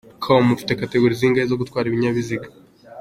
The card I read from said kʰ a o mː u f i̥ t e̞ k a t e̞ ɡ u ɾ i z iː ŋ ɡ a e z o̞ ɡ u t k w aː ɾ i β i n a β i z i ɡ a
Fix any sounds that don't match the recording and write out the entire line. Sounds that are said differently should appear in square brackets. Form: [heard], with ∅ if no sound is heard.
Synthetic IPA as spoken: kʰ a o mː u f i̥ t e̞ k a t e̞ ɡ u ɾ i z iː ŋ ɡ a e z o̞ ɡ u t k w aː ɾ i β i [ɲ] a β i z i ɡ a